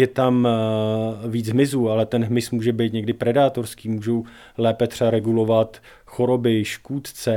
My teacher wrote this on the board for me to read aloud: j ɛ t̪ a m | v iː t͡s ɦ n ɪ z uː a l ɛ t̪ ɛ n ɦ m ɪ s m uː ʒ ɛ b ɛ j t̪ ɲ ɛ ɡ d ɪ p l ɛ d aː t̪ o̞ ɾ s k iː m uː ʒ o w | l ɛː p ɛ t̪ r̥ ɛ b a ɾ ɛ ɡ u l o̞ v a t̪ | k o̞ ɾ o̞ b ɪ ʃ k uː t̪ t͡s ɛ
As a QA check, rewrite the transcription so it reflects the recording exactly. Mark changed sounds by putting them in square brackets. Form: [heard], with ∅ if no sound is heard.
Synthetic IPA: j ɛ t̪ a m | v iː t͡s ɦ [m] ɪ z uː a l ɛ t̪ ɛ n ɦ m ɪ s m uː ʒ ɛ b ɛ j t̪ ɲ ɛ ɡ d ɪ p [ɾ] ɛ d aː t̪ o̞ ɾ s k iː m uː ʒ o w | l ɛː p ɛ t̪ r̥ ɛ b a ɾ ɛ ɡ u l o̞ v a t̪ | [x] o̞ ɾ o̞ b ɪ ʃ k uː t̪ t͡s ɛ